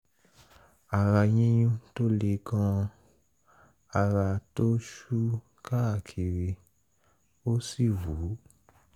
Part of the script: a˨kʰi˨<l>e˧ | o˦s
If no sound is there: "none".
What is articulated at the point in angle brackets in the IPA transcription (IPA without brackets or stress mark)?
ɾ